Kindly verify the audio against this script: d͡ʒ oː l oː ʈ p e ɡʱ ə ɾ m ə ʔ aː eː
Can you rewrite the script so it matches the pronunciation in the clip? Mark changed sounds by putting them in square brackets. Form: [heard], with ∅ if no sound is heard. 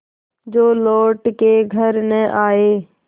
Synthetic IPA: d͡ʒ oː l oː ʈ [k] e ɡʱ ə ɾ [n] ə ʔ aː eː